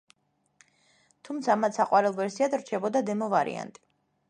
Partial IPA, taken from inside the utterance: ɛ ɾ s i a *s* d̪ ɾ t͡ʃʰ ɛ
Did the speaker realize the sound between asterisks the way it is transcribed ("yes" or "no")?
no